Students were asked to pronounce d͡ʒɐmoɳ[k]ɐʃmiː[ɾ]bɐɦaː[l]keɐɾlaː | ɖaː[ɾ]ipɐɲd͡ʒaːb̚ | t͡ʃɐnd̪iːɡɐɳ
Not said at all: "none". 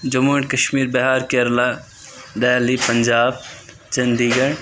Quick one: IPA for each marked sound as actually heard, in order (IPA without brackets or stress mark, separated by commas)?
k, ɾ, ɾ, l